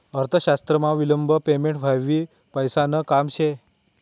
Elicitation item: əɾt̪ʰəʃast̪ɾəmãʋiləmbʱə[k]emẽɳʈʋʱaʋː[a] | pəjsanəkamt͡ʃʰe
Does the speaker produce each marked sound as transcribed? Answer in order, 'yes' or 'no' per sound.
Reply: no, no

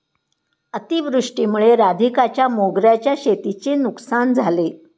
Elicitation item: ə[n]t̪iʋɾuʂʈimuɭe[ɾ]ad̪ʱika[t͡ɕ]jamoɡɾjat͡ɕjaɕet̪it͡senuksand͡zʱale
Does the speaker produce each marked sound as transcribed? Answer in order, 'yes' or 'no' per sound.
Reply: no, yes, yes

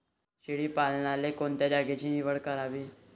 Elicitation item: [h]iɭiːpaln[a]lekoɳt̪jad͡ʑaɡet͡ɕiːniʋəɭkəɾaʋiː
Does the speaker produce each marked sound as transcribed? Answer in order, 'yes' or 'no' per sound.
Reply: no, yes

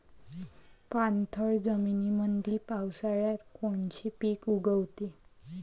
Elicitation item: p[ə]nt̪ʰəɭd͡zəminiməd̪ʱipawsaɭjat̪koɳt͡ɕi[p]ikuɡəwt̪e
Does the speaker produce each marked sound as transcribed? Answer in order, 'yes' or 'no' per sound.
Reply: no, yes

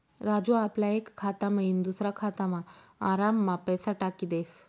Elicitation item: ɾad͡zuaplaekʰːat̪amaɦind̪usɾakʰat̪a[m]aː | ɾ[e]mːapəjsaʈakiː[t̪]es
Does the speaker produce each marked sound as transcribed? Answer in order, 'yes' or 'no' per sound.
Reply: yes, no, no

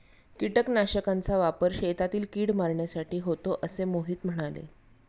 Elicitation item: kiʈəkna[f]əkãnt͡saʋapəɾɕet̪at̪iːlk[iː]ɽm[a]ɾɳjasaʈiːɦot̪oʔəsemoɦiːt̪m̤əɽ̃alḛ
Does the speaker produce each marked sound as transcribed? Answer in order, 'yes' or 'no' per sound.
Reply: no, yes, yes

